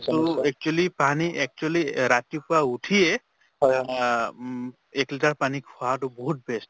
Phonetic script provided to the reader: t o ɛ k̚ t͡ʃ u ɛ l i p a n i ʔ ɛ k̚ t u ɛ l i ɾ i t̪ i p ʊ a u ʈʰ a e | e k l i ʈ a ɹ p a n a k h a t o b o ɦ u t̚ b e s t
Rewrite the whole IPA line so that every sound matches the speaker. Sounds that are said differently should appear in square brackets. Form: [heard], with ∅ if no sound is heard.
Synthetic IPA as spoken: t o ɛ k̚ t͡ʃ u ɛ l i p a n i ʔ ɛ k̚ [t͡ʃ] u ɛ l i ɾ [a] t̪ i p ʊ a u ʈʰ [i] e | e k l i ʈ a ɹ p a n [i] k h a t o b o ɦ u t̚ b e s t